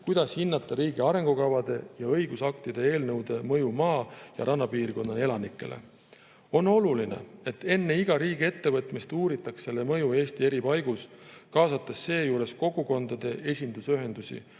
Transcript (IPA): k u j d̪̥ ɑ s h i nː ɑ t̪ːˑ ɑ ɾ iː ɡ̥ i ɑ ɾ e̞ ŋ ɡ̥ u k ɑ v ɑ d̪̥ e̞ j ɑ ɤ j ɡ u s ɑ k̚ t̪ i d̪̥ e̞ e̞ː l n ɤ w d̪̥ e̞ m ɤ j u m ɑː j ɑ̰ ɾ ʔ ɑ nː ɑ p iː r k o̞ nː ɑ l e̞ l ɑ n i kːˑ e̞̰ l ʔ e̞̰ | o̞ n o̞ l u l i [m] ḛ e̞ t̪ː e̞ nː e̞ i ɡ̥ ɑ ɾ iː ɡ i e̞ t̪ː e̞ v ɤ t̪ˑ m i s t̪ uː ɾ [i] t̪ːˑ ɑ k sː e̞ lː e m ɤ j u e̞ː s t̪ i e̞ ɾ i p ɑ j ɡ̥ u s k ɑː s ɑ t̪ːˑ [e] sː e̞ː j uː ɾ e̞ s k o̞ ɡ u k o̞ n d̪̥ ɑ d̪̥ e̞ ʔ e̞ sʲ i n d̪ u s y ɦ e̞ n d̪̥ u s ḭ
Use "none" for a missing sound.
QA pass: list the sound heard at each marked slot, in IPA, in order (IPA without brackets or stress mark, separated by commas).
n, i, e